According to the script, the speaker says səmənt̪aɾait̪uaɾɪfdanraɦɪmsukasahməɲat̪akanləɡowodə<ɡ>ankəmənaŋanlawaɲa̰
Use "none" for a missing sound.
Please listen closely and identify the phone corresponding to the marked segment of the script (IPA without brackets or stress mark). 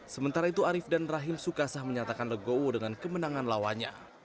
ŋ